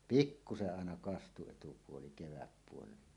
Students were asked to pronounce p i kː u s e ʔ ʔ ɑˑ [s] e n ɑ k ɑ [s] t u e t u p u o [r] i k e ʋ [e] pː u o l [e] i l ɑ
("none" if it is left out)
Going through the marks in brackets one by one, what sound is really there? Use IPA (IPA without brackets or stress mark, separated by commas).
none, s, l, æ, e